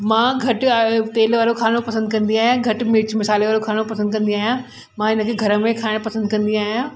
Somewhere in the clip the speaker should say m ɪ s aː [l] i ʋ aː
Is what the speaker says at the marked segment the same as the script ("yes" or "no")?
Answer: yes